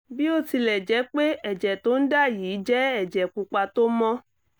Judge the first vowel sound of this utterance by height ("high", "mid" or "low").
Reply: high